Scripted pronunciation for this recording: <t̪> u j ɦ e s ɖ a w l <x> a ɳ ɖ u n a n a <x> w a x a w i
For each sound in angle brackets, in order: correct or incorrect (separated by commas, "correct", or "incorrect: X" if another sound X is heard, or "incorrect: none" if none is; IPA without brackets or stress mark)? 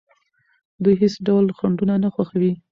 incorrect: d̪, correct, correct